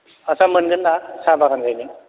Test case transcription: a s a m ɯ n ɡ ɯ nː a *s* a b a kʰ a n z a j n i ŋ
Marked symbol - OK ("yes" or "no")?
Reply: yes